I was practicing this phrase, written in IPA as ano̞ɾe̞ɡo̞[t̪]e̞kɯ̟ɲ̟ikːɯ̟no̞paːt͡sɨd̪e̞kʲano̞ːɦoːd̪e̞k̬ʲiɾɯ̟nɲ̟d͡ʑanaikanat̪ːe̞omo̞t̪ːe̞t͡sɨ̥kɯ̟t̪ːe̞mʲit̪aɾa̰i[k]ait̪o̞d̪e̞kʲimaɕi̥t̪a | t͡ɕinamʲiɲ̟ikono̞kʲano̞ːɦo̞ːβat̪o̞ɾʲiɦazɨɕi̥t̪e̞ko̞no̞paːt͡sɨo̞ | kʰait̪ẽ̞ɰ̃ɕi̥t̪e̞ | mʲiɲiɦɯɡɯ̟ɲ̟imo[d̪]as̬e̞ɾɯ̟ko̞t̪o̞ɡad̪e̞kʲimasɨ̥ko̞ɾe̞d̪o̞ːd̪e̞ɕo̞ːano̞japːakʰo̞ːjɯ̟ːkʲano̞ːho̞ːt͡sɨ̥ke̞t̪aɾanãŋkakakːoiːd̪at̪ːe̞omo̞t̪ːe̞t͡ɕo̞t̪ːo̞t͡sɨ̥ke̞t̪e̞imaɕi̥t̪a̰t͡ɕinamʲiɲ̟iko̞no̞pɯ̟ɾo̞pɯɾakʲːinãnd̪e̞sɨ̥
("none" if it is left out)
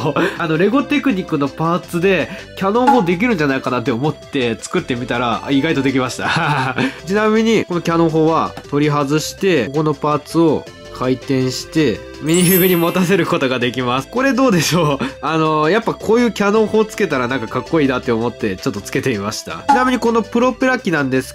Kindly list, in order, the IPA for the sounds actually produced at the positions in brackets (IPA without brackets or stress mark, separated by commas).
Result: t̪, ɡ, t̪